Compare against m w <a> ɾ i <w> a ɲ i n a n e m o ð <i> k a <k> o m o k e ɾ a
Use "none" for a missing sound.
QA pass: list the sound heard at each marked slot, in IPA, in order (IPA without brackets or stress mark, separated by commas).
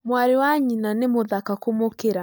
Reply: a, w, a, k